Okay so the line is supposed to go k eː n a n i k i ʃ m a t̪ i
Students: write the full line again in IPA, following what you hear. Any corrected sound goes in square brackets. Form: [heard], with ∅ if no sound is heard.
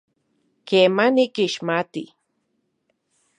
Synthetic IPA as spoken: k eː [m] a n i k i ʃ m a t̪ i